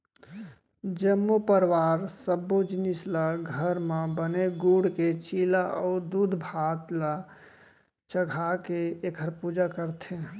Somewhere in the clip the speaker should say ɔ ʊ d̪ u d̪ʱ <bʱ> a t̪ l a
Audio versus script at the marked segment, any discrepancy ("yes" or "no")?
no